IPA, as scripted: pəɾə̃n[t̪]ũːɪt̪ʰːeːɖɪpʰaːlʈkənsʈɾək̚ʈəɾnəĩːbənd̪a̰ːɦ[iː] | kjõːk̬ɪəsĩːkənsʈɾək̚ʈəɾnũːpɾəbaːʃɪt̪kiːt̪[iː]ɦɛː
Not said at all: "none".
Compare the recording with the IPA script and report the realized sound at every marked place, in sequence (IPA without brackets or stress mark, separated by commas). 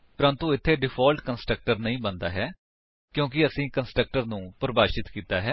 t̪, ɛː, aː